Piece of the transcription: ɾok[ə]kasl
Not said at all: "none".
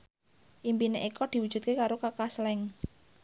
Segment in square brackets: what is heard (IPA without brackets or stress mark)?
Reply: a